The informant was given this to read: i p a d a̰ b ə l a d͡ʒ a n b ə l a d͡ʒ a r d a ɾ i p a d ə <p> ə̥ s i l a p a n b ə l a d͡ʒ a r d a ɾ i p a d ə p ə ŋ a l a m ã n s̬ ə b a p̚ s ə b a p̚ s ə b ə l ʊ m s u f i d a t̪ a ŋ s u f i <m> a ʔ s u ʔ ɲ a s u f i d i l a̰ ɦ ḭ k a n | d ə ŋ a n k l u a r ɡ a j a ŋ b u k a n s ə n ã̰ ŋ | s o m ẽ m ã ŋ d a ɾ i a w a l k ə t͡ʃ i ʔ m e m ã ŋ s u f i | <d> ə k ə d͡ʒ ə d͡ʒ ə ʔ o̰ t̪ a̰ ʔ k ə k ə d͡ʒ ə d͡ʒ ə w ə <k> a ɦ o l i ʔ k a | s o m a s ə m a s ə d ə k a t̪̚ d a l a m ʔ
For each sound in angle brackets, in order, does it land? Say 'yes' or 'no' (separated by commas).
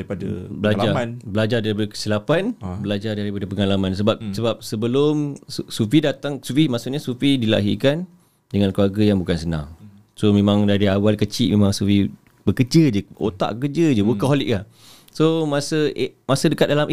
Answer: no, yes, no, yes